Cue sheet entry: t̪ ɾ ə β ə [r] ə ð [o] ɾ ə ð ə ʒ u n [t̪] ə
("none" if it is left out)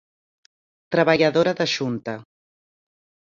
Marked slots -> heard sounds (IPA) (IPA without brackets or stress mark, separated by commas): ʎ, o, t̪